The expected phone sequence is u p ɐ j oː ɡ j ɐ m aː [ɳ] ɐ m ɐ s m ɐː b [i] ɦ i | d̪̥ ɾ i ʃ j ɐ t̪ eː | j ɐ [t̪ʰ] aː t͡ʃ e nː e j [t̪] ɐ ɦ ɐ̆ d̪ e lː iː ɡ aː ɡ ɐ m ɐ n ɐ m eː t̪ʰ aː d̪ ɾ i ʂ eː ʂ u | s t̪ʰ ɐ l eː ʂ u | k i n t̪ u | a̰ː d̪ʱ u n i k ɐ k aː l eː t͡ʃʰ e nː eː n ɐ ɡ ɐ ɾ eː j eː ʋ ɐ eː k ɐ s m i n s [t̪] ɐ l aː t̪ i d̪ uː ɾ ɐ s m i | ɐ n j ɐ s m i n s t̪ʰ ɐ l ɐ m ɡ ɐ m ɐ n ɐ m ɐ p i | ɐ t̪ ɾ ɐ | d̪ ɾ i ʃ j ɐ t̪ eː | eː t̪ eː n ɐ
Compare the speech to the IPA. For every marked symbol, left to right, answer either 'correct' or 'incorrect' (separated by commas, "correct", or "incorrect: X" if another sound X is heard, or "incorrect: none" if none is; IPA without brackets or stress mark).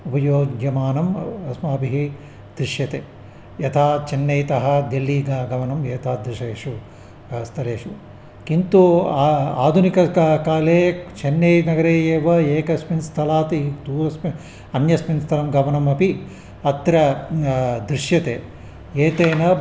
incorrect: n, correct, correct, correct, incorrect: t̪ʰ